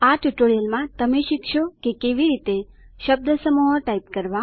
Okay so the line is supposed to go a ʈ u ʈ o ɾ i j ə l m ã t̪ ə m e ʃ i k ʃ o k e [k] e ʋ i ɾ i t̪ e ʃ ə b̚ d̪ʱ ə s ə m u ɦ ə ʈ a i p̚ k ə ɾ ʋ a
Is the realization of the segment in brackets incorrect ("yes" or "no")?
no